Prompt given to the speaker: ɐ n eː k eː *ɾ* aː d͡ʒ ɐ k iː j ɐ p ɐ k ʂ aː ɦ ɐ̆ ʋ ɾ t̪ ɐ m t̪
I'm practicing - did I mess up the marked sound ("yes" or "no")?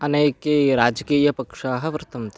no